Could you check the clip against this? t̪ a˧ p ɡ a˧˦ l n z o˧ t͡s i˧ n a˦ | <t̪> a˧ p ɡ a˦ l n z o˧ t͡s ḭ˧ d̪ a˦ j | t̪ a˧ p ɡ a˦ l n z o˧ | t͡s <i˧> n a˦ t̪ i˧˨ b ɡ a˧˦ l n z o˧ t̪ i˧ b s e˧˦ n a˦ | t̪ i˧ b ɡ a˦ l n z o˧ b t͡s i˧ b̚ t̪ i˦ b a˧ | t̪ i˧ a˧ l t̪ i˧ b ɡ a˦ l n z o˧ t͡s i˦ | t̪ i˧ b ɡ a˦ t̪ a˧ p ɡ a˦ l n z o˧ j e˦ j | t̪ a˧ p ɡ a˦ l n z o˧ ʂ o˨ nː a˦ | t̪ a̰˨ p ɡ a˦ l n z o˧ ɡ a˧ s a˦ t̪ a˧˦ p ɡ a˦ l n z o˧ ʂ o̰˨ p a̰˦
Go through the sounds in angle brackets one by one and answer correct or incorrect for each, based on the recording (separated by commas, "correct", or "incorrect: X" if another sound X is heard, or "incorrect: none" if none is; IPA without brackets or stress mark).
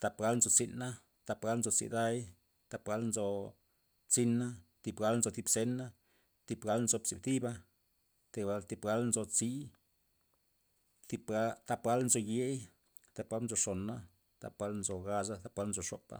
correct, correct